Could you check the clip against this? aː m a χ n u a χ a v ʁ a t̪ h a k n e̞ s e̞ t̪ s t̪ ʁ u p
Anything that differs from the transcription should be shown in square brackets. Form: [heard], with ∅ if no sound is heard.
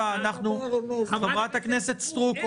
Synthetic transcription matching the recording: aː [n] a χ n u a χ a v ʁ a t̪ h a k n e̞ s e̞ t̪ s t̪ ʁ u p